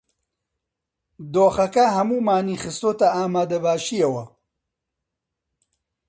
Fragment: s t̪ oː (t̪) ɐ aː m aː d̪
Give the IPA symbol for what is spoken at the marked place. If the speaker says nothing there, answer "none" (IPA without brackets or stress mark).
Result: t̪